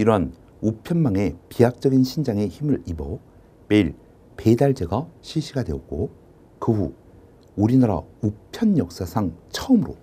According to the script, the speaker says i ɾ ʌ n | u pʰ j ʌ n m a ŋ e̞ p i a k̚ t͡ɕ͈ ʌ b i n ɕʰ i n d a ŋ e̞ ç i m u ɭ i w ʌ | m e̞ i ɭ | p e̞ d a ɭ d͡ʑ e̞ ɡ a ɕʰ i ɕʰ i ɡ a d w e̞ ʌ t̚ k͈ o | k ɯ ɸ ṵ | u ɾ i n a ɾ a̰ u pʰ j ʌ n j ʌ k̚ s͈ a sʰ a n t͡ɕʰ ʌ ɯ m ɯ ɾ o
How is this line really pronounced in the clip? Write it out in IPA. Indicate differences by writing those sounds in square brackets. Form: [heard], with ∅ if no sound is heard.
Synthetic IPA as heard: i ɾ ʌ n | u pʰ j ʌ n m a ŋ e̞ p i a k̚ t͡ɕ͈ ʌ [ɡ] i n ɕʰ i n [d͡ʑ] a ŋ e̞ ç i m [ɯ] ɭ i [b] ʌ | m e̞ i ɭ | p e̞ d a ɭ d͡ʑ e̞ ɡ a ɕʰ i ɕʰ i ɡ a d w e̞ ʌ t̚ k͈ o | k ɯ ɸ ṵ | u ɾ i n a ɾ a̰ u pʰ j ʌ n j ʌ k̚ s͈ a sʰ a [ŋ] t͡ɕʰ ʌ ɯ m ɯ ɾ o